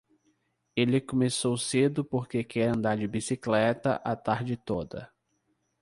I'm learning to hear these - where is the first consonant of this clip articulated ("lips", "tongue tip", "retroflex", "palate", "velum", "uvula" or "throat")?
tongue tip